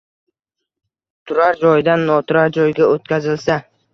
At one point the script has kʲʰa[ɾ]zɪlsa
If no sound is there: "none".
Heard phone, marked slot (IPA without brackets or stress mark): none